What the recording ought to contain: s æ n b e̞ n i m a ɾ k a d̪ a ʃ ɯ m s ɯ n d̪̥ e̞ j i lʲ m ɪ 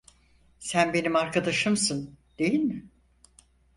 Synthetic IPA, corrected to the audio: s æ n b e̞ n i m a ɾ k a d̪ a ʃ ɯ m s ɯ n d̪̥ e̞ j i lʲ m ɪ